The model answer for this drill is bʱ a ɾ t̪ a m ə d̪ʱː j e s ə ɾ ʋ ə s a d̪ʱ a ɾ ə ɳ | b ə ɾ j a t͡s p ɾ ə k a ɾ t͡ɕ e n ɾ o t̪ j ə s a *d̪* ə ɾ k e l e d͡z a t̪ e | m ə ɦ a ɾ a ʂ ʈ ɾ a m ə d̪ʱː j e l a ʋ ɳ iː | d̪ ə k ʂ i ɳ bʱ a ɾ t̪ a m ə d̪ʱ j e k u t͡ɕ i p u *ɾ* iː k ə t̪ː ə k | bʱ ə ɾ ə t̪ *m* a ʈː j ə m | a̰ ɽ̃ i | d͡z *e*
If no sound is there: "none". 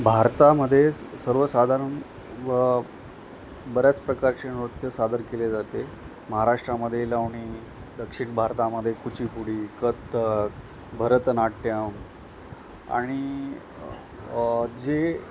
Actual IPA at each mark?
d̪, ɽ, n, e

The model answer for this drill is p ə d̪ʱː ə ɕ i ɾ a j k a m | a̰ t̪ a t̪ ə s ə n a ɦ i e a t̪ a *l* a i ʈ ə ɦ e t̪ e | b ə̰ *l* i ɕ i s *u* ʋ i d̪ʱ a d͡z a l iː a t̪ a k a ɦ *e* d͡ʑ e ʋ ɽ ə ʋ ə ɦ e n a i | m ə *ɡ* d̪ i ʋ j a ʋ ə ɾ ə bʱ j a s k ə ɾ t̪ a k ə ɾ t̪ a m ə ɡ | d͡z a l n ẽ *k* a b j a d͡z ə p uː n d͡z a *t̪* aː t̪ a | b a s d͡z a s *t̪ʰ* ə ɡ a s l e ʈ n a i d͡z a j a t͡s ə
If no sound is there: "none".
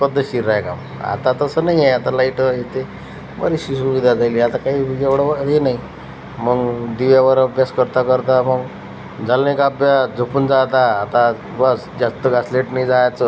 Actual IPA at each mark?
l, ɾ, u, i, ɡ, k, t̪, t̪

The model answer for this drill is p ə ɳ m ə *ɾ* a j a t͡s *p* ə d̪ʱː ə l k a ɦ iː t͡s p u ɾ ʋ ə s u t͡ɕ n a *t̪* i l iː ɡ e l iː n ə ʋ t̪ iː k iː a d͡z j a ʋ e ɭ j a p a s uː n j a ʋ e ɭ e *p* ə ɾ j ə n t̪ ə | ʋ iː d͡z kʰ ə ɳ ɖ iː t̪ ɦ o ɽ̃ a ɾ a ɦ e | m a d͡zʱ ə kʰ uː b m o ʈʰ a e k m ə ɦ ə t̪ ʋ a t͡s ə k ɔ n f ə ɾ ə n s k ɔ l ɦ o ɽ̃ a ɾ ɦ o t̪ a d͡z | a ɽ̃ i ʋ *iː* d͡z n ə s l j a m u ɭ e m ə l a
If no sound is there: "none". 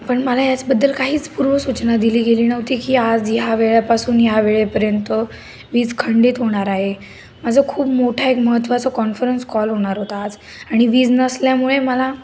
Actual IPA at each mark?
l, b, d̪, p, iː

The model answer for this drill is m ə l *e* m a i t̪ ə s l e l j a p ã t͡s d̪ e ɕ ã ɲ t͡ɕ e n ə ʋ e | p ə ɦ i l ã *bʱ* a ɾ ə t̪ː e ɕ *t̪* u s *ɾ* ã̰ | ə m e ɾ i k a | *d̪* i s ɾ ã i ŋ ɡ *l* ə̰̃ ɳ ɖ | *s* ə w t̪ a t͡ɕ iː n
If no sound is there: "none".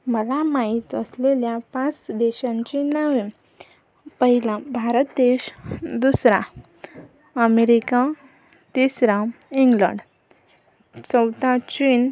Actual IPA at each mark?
a, bʱ, d̪, ɾ, t̪, l, t͡s

